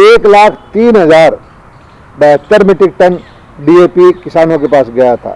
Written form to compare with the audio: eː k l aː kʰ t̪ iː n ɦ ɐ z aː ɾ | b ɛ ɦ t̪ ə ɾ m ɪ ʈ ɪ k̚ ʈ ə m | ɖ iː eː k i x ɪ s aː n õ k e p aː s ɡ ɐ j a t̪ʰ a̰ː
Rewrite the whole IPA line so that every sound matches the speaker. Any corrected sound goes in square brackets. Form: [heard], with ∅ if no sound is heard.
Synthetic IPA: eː k l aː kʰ t̪ iː n ɦ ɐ z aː ɾ | b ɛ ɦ t̪ ə ɾ m ɪ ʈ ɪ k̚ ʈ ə [n] | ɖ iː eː [p] i [k] ɪ s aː n õ k e p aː s ɡ ɐ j a t̪ʰ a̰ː